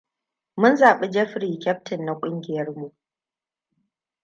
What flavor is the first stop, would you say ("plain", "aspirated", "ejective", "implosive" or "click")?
implosive